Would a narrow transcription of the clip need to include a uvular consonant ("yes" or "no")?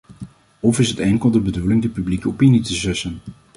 no